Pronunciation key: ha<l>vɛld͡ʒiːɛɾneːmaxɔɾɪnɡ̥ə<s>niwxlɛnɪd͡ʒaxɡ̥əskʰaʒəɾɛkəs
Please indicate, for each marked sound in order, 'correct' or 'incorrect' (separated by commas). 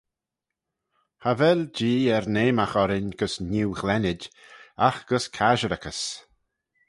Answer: incorrect, correct